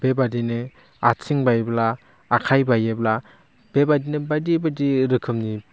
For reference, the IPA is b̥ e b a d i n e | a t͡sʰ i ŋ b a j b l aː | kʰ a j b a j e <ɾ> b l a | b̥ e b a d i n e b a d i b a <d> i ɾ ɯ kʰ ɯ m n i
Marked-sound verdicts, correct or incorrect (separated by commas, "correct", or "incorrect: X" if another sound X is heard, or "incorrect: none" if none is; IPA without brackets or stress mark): incorrect: none, correct